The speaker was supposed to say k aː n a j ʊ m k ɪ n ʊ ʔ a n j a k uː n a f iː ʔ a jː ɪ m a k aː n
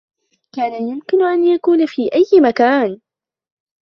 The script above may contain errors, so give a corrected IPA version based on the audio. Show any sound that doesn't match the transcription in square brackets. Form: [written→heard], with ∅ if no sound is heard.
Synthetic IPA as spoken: k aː n a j ʊ m k ɪ n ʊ ʔ a n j a k uː n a f iː ʔ a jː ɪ m a k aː n

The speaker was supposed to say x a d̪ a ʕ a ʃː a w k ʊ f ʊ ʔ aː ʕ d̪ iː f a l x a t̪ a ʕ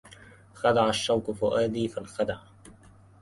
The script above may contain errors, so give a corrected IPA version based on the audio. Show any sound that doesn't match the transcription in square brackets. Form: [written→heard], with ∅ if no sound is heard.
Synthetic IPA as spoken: x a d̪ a ʕ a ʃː a w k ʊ f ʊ ʔ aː [ʕ→∅] d̪ iː f a l x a [t̪→d̪] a ʕ

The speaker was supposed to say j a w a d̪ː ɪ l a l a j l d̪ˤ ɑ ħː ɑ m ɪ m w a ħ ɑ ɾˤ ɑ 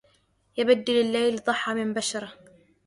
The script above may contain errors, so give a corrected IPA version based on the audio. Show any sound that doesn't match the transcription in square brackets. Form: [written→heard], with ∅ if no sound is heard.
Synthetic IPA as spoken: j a [w→b] a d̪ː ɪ l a [l→lː] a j l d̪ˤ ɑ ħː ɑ m ɪ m [w→b] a [ħ→ʃ] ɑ ɾˤ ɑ

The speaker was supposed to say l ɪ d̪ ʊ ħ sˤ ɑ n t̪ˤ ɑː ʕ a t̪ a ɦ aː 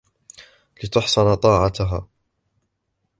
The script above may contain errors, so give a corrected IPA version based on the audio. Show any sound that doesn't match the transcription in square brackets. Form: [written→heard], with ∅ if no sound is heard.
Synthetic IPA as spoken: l ɪ [d̪→t̪] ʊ ħ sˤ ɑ n t̪ˤ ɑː ʕ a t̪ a ɦ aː

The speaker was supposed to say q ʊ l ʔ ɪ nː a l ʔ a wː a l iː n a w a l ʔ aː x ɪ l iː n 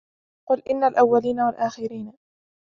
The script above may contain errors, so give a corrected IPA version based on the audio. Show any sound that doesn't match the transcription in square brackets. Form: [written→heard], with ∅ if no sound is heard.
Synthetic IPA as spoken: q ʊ l ʔ ɪ nː a l ʔ a wː a l iː n a w a l ʔ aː x ɪ [l→ɾ] iː n

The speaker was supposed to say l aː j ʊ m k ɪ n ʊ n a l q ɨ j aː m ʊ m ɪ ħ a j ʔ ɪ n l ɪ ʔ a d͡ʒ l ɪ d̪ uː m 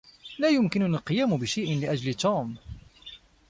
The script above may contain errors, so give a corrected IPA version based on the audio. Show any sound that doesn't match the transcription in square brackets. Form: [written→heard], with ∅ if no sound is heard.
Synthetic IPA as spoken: l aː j ʊ m k ɪ n ʊ n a l q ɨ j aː m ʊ [m→b] ɪ [ħ→ʃ] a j ʔ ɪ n l ɪ ʔ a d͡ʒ l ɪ [d̪→t̪] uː m

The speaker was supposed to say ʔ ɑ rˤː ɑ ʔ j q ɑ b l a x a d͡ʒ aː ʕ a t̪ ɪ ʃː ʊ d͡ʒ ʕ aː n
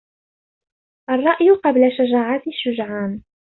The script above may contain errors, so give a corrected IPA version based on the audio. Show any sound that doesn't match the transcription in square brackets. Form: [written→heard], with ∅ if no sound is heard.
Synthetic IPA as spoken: ʔ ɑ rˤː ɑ ʔ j q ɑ b l a [x→ʃ] a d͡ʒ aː ʕ a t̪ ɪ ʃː ʊ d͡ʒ ʕ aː n

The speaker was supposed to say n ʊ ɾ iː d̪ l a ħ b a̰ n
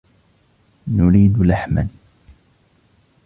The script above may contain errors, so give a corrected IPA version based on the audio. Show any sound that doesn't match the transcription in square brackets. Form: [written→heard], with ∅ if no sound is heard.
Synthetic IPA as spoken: n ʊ ɾ iː d̪ l a ħ [b→m] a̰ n

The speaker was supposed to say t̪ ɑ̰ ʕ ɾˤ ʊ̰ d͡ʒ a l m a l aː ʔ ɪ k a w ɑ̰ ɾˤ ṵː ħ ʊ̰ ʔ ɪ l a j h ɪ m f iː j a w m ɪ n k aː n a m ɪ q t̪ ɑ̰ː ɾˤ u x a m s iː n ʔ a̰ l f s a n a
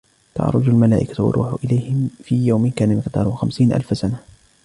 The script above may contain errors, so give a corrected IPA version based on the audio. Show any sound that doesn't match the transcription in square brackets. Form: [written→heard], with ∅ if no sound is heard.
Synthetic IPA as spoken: t̪ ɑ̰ ʕ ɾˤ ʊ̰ d͡ʒ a l m a l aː ʔ ɪ k a w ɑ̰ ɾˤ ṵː ħ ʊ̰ ʔ ɪ l a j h ɪ m f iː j a w m ɪ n k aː n a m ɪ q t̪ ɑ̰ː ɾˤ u x a m s iː n ʔ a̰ l f s a n a

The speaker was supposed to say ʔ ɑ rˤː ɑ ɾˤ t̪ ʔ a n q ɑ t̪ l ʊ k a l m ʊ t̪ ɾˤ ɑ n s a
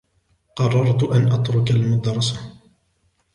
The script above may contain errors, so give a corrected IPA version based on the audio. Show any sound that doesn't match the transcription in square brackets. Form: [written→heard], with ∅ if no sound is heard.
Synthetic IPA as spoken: [ʔ→q] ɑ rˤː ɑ ɾˤ t̪ ʔ a n [q→ʔ] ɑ t̪ [l→ɾ] ʊ k a l m ʊ [t̪→d̪] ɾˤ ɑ [n→∅] s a

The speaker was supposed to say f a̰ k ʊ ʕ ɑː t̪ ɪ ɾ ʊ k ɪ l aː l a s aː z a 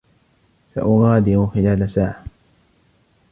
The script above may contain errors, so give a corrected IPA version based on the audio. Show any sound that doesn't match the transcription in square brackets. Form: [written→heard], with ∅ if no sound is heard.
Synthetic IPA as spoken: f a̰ [k→ʔ] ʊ [ʕ→ɣ] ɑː [t̪→d̪] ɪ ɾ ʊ [k→x] ɪ l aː l a s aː [z→ʕ] a

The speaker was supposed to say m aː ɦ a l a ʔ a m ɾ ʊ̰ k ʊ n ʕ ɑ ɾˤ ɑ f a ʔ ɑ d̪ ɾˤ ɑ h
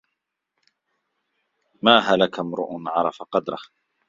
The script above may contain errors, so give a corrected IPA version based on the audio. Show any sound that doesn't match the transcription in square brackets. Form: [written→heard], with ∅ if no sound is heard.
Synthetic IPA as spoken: m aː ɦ a l a [ʔ→k] a m ɾ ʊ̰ [k→ʔ] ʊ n ʕ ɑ ɾˤ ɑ f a [ʔ→q] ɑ d̪ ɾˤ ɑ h

